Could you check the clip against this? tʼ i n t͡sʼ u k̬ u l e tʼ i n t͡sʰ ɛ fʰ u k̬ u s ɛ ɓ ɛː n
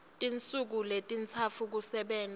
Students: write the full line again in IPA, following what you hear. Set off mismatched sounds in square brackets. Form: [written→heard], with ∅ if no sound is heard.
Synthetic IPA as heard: tʼ i n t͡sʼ u k̬ u l e tʼ i n t͡sʰ [ɛ→a] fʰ u k̬ u s ɛ ɓ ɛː n